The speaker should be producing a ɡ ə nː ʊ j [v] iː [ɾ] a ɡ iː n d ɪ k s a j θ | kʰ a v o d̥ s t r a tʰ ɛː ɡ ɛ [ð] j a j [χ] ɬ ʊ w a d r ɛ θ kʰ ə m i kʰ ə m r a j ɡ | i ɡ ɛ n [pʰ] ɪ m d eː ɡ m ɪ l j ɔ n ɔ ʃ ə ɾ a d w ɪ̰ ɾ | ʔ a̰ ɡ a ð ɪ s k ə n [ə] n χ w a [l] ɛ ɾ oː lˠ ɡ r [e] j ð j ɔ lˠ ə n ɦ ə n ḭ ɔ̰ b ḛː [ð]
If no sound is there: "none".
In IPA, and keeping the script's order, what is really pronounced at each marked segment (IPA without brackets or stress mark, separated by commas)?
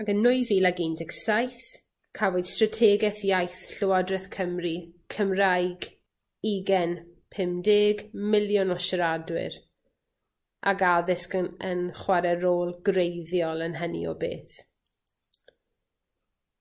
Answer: v, l, θ, θ, pʰ, ə, ɾ, e, θ